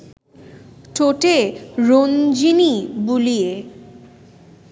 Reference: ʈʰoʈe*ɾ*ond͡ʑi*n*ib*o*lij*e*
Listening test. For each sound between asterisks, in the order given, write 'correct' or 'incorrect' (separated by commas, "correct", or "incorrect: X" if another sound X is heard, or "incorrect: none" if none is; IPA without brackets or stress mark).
correct, correct, incorrect: u, correct